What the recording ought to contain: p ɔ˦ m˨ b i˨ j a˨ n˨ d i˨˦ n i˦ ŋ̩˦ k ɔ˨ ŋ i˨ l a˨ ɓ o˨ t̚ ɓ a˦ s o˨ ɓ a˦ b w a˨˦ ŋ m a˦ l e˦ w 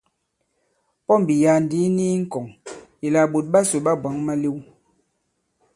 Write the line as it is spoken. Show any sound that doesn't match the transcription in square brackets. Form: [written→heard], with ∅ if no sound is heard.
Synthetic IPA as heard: p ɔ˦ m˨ b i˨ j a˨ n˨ d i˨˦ n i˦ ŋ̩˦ k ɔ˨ ŋ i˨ l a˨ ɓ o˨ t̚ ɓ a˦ s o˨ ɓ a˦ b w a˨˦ ŋ m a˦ l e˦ w